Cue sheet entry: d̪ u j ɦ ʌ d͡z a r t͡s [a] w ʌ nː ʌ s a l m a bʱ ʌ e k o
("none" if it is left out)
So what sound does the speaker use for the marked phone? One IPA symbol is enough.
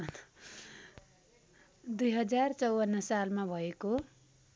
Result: ʌ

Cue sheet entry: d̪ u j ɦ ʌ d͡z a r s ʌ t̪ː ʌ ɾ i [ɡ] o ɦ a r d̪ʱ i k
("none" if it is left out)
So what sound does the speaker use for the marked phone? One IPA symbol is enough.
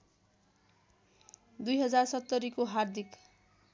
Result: k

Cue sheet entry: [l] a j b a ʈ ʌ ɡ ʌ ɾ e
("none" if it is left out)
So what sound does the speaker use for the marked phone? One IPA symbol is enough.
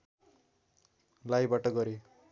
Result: l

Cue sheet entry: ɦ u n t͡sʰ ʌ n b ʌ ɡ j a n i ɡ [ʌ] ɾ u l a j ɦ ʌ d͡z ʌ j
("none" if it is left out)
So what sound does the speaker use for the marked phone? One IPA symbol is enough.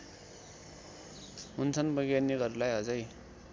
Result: ʌ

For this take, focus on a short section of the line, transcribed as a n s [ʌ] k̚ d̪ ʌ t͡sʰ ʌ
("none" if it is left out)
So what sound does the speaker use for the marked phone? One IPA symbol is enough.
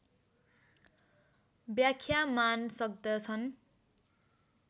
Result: ʌ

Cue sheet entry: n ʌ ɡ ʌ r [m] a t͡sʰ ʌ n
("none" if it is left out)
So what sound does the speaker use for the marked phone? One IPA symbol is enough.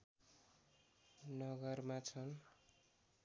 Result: m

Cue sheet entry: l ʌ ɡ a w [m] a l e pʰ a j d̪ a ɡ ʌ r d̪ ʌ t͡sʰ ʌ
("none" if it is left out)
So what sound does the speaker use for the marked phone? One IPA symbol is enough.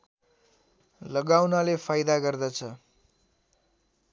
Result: n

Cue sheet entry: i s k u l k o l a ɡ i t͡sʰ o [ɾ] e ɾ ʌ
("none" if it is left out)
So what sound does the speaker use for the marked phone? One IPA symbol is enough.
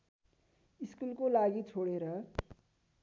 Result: ɽ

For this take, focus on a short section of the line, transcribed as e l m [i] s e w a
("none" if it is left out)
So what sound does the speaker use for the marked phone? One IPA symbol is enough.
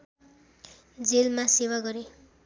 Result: a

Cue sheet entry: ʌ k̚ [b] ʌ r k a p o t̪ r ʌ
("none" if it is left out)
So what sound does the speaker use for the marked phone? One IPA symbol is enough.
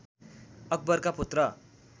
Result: b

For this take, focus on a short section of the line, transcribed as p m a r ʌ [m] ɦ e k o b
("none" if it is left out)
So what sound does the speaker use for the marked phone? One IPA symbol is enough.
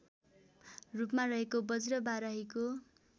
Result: none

